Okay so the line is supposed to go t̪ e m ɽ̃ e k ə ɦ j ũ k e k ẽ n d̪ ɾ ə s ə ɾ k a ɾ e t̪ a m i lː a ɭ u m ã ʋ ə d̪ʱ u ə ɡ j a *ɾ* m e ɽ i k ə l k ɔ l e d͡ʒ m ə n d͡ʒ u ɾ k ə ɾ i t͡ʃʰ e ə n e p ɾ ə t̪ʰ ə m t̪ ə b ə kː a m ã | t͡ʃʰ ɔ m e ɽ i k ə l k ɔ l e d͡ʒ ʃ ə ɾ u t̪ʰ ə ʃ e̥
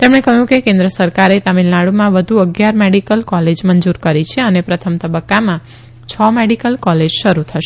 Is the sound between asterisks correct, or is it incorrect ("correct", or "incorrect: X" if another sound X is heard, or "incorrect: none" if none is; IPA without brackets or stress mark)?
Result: correct